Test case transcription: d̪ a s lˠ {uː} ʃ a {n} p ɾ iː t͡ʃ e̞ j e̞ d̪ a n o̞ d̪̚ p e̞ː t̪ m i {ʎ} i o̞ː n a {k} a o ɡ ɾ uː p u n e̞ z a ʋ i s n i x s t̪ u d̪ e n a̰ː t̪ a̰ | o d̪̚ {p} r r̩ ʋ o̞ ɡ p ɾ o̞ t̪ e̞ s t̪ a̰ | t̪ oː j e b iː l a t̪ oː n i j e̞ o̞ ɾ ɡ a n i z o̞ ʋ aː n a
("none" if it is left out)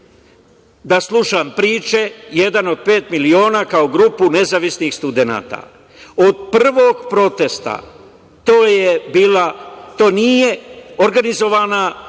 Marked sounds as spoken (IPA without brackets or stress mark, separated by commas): u, m, l, k, p